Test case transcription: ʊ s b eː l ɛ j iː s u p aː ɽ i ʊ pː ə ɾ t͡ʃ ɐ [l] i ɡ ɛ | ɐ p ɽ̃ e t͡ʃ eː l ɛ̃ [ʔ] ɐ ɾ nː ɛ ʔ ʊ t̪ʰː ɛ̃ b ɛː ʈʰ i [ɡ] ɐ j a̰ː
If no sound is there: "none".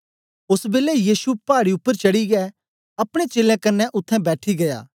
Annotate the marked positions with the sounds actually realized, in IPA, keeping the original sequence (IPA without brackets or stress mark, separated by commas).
ɽ, k, ɡ